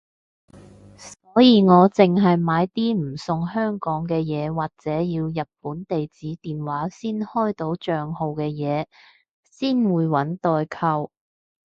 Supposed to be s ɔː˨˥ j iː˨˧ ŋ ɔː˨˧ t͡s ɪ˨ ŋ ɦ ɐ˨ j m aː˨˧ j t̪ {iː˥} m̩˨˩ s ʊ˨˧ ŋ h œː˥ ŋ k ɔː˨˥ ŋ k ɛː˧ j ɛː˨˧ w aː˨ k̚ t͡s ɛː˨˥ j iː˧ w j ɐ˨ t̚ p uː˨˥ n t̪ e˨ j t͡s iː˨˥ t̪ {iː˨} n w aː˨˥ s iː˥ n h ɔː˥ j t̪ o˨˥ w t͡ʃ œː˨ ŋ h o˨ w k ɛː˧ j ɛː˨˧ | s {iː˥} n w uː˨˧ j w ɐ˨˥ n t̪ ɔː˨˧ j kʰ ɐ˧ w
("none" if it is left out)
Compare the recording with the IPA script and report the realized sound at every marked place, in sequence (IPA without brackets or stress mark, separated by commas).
iː˥, iː˨, iː˥